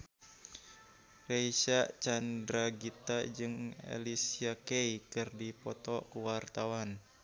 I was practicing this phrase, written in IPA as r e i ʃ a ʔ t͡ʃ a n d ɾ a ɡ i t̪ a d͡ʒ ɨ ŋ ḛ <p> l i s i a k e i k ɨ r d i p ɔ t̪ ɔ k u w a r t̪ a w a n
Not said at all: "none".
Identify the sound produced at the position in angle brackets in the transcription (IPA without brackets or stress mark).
none